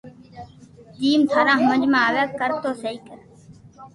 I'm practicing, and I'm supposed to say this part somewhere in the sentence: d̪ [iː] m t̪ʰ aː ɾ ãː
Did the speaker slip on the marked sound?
no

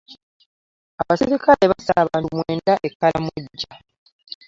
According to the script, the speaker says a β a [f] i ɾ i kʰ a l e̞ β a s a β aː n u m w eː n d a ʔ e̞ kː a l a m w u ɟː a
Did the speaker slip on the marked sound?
yes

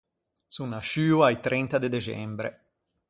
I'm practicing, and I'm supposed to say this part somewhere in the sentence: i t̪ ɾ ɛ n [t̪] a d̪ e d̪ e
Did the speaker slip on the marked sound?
no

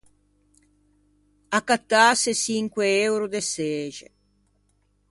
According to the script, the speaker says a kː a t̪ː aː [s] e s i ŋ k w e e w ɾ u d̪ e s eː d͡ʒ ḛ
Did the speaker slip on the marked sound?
no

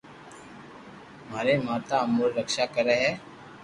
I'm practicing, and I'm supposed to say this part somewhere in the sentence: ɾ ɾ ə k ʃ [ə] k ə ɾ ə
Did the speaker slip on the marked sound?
yes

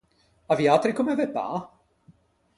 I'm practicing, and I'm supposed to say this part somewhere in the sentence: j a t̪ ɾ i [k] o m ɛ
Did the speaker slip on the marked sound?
no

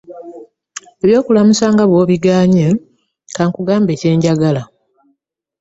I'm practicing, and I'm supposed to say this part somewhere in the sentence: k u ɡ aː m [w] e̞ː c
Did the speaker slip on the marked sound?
yes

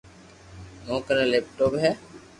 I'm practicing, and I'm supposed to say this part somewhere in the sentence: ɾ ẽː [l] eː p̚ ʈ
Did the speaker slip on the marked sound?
no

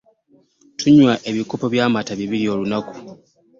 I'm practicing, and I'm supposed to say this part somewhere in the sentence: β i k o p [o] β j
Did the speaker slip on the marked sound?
no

